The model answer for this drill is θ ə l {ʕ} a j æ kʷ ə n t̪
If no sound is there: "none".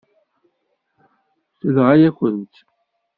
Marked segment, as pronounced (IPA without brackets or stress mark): ʁ